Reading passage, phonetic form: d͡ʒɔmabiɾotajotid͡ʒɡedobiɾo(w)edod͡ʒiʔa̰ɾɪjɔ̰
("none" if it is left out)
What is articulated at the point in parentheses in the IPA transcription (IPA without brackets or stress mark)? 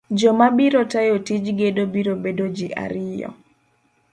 b